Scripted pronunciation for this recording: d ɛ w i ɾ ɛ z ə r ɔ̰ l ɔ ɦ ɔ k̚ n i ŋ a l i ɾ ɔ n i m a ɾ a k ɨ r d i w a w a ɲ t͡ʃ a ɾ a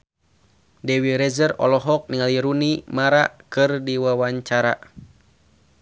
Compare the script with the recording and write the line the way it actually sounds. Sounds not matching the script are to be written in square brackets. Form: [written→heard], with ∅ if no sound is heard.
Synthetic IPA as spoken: d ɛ w i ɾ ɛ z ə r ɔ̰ l ɔ ɦ ɔ k̚ n i ŋ a l i ɾ [ɔ→u] n i m a ɾ a k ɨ r d i w a w a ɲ t͡ʃ a ɾ a

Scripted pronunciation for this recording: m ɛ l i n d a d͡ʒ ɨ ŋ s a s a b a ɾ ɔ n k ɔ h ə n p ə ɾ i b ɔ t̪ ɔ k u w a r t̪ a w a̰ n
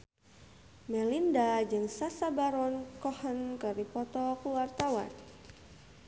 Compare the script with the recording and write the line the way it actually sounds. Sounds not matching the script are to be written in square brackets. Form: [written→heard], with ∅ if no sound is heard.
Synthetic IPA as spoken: m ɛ l i n d a d͡ʒ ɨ ŋ s a s a b a ɾ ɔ n k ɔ h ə n [p→k] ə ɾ i [b→p] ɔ t̪ ɔ k u w a r t̪ a w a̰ n

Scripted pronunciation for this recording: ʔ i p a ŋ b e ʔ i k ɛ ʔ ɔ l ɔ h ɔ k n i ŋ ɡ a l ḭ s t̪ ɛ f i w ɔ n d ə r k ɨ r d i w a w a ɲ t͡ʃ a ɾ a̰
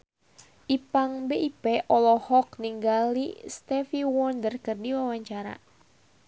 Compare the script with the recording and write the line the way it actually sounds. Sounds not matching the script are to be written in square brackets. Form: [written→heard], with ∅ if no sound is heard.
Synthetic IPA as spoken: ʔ i p a ŋ b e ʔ i [k→p] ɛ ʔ ɔ l ɔ h ɔ k n i ŋ ɡ a l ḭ s t̪ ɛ f i w ɔ n d ə r k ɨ r d i w a w a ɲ t͡ʃ a ɾ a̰

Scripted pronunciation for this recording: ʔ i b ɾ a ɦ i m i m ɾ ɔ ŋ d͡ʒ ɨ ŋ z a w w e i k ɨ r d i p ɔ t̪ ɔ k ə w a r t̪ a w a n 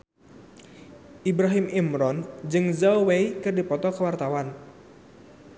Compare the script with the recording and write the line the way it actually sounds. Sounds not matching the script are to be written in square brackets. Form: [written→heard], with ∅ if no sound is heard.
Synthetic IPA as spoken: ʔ i b ɾ a ɦ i m i m ɾ ɔ [ŋ→n] d͡ʒ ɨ ŋ z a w w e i k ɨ r d i p ɔ t̪ ɔ k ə w a r t̪ a w a n

